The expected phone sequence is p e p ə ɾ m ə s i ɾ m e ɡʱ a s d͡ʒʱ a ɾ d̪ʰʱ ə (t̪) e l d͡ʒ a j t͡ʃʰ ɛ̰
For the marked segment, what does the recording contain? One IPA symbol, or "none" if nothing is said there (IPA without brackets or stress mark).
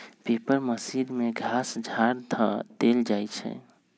d̪